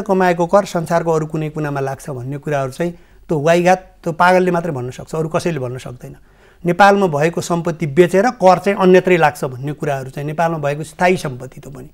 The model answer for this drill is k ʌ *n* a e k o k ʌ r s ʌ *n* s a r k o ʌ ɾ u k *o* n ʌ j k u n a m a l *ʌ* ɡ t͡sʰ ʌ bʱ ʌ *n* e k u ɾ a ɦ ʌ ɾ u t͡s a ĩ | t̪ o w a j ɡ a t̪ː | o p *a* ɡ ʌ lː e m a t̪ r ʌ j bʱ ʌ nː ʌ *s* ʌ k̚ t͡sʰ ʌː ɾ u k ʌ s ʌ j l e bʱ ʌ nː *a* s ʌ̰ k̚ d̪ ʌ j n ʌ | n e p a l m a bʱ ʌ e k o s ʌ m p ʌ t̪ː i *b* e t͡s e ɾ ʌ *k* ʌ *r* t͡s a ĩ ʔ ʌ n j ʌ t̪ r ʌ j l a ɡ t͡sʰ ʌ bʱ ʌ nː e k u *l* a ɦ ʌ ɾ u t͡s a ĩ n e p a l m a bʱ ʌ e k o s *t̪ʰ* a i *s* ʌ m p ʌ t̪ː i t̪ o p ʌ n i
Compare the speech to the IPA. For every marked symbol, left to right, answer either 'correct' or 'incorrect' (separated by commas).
incorrect, correct, incorrect, incorrect, incorrect, correct, correct, incorrect, correct, correct, correct, incorrect, correct, correct